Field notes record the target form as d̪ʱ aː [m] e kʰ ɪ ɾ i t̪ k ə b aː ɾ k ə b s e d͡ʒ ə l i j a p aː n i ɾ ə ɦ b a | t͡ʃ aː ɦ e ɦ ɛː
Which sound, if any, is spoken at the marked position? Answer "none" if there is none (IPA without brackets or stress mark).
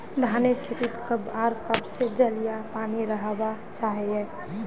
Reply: n